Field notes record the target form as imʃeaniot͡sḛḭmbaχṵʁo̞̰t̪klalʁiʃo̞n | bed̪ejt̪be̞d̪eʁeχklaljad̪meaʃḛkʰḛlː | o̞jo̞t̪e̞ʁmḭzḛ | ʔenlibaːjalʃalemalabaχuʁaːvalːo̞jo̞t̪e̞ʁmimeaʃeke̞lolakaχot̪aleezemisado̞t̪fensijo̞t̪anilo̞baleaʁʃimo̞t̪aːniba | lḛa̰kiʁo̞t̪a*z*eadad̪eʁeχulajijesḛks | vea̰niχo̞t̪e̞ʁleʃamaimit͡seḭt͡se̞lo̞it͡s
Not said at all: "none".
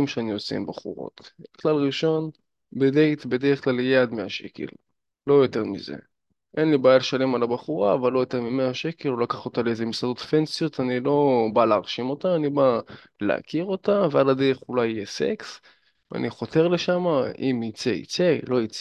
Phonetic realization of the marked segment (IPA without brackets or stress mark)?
v